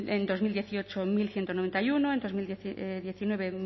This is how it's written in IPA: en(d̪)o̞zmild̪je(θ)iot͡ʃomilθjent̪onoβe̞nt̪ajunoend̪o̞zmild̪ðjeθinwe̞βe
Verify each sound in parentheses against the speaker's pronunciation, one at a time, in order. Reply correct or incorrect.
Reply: correct, correct

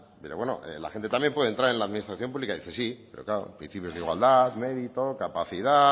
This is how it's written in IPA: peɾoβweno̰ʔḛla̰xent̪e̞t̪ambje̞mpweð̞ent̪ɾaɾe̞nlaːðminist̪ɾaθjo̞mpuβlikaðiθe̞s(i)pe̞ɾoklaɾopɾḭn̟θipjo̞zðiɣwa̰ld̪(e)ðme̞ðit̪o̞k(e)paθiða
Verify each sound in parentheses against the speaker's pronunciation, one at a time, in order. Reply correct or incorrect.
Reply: correct, incorrect, incorrect

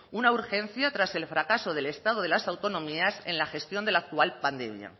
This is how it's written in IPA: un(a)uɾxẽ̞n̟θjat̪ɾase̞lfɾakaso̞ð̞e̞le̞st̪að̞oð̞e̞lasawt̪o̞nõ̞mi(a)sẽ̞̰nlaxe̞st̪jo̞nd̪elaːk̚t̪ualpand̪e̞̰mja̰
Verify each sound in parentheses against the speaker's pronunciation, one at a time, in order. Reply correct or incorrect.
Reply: correct, correct

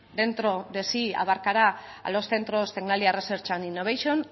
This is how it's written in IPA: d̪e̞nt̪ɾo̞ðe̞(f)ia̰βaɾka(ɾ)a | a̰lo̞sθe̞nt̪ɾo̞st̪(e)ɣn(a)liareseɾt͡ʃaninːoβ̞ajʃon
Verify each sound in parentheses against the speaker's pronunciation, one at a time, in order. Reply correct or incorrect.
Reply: incorrect, correct, correct, correct

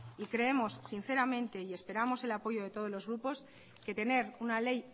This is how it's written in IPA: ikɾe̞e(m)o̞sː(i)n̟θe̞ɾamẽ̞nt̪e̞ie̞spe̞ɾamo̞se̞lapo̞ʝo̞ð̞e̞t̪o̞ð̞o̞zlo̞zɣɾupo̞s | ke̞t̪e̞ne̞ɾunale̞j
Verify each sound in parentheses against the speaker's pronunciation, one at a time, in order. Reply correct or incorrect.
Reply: correct, correct

